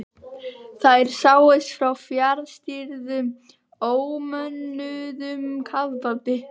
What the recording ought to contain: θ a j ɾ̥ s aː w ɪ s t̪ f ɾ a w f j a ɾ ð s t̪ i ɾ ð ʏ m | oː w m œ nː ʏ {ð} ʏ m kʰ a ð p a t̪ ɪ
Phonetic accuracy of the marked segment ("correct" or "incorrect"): correct